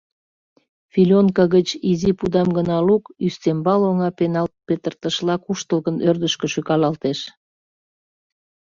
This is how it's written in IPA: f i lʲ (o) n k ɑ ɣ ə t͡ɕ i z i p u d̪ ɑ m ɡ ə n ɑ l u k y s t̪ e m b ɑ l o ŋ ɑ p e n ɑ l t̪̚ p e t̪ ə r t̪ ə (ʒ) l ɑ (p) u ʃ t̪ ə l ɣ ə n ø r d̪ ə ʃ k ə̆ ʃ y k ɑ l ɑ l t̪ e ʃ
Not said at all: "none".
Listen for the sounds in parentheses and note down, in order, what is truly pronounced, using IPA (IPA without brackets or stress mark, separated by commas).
o, ʃ, k